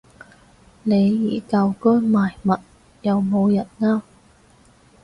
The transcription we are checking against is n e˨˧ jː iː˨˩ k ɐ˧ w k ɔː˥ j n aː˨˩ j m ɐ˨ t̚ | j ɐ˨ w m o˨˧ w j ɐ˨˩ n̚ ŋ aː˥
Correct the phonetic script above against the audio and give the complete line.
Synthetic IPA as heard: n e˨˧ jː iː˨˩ k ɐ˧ w k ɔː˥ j m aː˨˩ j m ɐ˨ t̚ | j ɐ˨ w m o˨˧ w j ɐ˨˩ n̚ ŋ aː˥